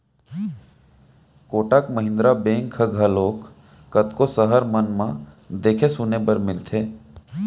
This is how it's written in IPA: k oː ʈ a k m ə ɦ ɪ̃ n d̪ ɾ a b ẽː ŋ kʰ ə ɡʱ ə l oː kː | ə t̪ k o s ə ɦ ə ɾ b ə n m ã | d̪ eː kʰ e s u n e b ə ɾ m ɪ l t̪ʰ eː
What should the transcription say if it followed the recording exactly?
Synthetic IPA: k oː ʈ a k m ə ɦ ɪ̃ n d̪ ɾ a b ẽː ŋ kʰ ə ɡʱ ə l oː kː | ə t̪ k o s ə ɦ ə ɾ m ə n m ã | d̪ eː kʰ e s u n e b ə ɾ m ɪ l t̪ʰ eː